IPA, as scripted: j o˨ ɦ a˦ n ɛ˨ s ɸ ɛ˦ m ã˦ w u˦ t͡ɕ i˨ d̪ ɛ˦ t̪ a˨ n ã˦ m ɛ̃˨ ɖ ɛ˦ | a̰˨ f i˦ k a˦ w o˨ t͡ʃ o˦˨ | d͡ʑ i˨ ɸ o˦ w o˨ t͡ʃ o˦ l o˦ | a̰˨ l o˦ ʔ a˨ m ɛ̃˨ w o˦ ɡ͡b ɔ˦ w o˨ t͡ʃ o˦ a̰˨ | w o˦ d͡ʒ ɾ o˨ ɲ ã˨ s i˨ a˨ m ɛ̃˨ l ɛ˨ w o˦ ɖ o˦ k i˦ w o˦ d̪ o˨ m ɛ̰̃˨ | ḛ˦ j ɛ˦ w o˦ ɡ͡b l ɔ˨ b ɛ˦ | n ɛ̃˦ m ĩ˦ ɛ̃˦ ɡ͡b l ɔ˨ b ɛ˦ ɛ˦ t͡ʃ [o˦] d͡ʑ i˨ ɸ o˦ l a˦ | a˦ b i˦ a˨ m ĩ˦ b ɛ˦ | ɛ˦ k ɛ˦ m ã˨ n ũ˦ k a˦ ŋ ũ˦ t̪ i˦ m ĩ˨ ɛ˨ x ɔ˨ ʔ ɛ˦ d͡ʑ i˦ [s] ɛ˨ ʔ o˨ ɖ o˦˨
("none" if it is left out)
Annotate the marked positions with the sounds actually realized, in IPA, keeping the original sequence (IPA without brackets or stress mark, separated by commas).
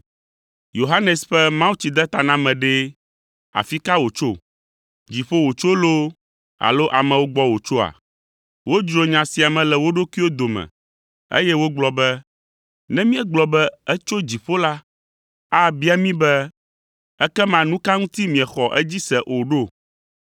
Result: o˦, s